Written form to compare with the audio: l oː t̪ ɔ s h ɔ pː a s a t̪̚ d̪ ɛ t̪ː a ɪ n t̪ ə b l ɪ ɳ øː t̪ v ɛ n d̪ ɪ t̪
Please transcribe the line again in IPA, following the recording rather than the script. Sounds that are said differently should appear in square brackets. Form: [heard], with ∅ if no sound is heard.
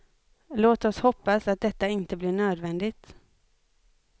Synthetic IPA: l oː t̪ ɔ s h ɔ pː a s a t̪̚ d̪ ɛ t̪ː a ɪ n t̪ ə b l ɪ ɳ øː [d̪] v ɛ n d̪ ɪ t̪